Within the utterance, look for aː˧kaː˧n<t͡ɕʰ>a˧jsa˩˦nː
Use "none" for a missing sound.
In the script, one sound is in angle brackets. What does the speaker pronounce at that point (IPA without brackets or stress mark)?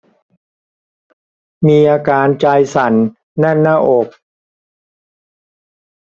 t͡ɕ